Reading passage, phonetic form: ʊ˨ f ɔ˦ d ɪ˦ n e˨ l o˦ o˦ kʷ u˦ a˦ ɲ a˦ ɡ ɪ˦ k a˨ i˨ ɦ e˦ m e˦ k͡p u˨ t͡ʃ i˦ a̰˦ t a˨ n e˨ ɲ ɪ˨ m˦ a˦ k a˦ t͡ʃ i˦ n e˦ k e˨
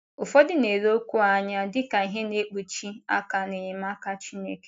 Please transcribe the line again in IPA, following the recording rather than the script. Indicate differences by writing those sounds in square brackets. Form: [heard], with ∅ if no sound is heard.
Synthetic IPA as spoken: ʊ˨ f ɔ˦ d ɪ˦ n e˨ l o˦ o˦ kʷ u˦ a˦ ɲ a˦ [d] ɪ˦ k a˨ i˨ ɦ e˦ [n] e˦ k͡p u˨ t͡ʃ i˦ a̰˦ [k] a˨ n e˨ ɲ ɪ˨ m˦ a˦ k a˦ t͡ʃ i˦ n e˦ k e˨